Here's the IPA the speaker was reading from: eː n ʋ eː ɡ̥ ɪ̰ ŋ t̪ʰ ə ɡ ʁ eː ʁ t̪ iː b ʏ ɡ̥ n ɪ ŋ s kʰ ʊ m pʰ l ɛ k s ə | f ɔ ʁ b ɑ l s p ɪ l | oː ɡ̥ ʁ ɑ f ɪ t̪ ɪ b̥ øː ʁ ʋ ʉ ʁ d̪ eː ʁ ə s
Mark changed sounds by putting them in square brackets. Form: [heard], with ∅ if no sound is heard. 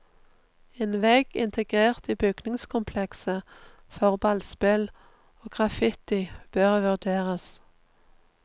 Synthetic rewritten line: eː n ʋ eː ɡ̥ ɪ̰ [n] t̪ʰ ə ɡ ʁ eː ʁ t̪ iː b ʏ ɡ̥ n ɪ ŋ s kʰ ʊ m pʰ l ɛ k s ə | f ɔ ʁ b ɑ l s p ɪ l | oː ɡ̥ ʁ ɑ f ɪ t̪ ɪ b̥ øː ʁ ʋ ʉ ʁ d̪ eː ʁ ə s